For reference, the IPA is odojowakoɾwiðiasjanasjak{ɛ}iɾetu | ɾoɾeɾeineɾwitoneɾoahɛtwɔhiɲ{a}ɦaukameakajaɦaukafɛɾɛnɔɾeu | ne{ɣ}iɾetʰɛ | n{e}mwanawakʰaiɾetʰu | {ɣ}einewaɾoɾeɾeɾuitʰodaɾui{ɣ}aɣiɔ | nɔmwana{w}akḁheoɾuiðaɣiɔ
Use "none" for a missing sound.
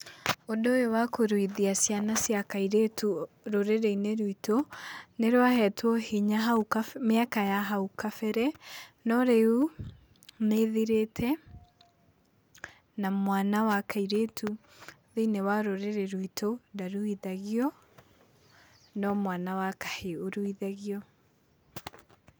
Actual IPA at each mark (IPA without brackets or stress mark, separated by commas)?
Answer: a, a, ð, a, ð, ð, w